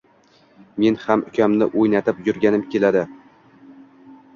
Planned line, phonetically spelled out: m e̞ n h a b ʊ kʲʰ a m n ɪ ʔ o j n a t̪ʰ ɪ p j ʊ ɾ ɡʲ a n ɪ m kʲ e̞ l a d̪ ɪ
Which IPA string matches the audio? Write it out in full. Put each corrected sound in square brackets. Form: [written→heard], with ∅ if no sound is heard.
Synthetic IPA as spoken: m e̞ n h a [b→m] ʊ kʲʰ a m n ɪ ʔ o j n a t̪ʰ ɪ p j ʊ ɾ ɡʲ a n ɪ m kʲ e̞ l a d̪ ɪ